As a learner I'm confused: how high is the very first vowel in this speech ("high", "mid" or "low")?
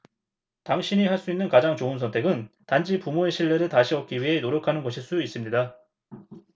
low